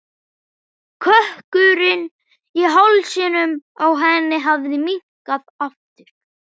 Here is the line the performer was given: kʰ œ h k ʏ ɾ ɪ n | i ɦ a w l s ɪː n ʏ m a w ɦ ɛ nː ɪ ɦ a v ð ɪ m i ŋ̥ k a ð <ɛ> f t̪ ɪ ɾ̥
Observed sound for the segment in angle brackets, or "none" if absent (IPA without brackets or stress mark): a